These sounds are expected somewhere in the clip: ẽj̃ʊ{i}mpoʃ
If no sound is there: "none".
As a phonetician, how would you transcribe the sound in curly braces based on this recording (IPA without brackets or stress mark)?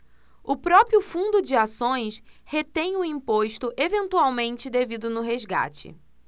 ĩ